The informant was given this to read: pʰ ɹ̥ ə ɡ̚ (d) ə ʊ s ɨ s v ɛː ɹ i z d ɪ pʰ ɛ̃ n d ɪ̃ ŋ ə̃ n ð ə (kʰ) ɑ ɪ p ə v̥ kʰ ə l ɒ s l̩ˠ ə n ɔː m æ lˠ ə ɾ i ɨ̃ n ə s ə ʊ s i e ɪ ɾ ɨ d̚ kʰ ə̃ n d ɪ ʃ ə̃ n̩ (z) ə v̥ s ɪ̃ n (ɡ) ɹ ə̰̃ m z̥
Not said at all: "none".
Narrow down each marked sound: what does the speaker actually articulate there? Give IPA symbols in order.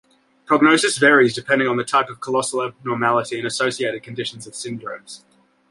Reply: n, tʰ, z, d

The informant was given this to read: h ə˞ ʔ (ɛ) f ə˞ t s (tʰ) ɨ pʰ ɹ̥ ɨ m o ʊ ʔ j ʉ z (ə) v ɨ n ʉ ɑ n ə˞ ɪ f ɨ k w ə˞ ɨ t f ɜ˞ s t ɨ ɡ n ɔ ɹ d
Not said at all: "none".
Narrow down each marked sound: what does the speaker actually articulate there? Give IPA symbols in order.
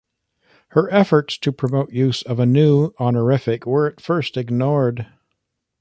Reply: ɛ, tʰ, ʌ

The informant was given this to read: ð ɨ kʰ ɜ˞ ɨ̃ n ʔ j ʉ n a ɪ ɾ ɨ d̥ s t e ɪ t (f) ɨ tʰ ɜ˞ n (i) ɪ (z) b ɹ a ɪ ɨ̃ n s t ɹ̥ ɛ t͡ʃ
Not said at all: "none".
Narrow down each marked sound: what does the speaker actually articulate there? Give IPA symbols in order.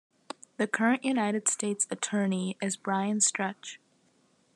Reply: s, i, z

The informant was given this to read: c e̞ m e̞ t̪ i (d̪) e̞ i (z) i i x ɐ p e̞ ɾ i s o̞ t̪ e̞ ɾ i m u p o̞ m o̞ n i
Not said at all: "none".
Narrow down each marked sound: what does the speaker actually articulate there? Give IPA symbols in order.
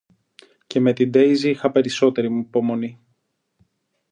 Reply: d̪, z

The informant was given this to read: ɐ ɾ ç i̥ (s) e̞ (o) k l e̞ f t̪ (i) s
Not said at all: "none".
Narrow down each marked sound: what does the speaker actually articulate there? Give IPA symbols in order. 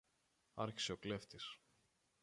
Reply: s, o, i

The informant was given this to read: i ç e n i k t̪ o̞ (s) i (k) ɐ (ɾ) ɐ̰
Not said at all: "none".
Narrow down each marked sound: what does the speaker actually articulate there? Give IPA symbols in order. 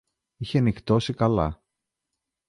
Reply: s, k, l

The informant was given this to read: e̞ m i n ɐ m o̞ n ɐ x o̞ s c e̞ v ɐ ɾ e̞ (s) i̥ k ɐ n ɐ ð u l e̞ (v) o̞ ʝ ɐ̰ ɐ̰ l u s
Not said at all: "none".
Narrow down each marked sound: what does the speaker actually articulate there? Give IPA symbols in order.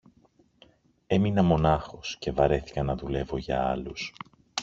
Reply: θ, v

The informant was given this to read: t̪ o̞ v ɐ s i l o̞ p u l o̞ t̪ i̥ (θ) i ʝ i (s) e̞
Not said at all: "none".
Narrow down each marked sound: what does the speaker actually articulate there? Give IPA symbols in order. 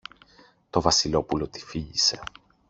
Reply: f, s

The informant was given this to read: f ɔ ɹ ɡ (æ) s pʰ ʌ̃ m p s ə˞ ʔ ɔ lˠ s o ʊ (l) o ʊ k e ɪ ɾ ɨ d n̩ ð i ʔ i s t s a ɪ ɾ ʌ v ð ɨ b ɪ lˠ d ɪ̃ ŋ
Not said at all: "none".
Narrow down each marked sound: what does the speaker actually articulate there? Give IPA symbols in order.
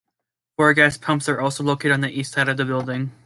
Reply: æ, l

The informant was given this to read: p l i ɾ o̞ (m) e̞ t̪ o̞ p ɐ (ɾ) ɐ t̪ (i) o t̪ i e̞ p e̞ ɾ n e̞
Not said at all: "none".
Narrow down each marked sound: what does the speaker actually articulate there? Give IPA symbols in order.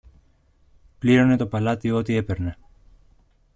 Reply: n, l, i

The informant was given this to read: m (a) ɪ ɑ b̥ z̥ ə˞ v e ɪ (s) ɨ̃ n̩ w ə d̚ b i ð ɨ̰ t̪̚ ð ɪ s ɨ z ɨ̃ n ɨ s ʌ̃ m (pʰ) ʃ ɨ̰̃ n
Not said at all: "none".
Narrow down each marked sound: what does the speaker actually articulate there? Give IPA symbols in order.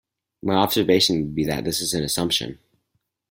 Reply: a, ʃ, p

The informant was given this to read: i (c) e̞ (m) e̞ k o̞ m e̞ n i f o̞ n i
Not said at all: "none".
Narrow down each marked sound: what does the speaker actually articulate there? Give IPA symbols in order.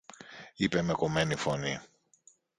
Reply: p, m

